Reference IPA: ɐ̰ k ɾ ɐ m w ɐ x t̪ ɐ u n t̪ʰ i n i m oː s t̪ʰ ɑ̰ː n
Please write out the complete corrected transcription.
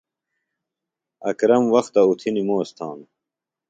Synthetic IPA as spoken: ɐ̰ k ɾ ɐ m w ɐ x t̪ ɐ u t̪ʰ i n i m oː s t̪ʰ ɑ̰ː n